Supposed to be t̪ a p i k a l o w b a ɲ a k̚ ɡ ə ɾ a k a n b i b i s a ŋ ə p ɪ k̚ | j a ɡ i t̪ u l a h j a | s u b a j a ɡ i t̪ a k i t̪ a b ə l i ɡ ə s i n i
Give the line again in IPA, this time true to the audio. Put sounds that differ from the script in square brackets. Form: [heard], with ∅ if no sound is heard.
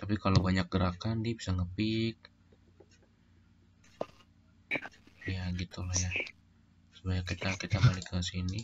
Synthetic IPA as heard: t̪ a p i k a l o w b a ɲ a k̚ ɡ ə ɾ a k a n [d] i b i s a ŋ ə p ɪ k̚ | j a ɡ i t̪ u l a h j a | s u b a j a [k] i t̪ a k i t̪ a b [a] l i [k] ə s i n i